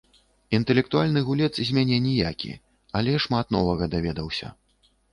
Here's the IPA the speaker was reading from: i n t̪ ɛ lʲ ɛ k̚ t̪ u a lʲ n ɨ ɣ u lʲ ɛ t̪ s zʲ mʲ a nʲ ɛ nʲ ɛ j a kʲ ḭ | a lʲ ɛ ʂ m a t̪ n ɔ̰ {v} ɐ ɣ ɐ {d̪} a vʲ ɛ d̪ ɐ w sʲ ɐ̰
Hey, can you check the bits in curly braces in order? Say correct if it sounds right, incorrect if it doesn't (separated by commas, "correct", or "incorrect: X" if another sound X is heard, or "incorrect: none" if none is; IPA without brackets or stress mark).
correct, correct